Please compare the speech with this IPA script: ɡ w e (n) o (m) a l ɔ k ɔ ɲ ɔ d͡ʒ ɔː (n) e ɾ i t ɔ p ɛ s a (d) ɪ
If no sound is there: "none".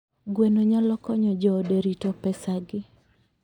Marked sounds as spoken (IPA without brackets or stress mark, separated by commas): n, ɲ, d, ɡ